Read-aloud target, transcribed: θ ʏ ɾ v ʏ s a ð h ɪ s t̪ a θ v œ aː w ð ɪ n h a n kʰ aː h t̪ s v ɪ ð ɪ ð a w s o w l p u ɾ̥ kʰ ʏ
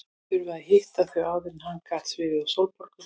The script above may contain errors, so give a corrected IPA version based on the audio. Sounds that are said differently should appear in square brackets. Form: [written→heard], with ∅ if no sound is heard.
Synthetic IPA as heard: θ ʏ ɾ v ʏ [s→∅] a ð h ɪ [s→h] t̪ a θ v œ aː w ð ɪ n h a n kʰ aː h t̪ s v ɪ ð ɪ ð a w s o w l p [u→ɔ] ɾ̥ [kʰ→k] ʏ